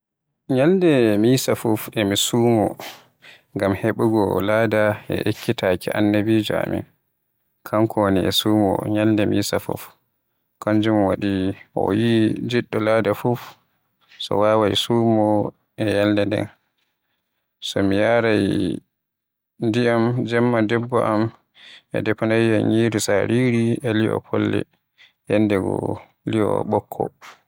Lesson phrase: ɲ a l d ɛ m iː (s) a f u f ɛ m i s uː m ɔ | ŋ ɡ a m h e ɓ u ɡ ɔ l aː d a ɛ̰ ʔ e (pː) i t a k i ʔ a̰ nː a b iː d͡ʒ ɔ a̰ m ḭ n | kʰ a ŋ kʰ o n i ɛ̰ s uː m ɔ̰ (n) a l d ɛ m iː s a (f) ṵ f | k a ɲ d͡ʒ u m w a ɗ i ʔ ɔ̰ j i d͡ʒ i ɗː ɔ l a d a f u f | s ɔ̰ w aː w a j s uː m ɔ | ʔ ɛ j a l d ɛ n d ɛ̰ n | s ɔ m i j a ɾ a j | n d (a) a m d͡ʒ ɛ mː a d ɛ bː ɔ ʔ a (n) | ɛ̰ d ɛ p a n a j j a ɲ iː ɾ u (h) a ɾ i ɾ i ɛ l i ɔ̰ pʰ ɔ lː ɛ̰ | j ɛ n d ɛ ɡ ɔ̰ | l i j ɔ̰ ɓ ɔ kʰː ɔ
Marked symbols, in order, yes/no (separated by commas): yes, no, no, yes, no, no, no